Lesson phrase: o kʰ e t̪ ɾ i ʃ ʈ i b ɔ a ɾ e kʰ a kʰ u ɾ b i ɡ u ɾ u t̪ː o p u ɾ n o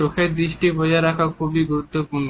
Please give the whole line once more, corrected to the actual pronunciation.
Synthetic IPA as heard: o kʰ e d̪ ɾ i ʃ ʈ i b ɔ a ɾ a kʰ a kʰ u b i ɡ u ɾ u t̪ː o p u ɾ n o